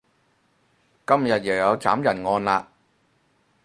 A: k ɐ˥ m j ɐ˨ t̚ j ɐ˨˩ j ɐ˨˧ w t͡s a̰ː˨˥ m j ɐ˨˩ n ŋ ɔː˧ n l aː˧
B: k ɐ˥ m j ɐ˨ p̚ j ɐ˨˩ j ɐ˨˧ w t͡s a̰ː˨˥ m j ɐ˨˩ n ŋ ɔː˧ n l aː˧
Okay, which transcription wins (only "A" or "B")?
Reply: A